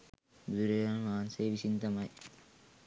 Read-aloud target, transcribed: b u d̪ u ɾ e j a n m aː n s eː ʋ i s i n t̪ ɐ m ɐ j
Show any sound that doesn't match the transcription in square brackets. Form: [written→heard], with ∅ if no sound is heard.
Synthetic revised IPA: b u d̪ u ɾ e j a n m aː n s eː ʋ i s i n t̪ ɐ m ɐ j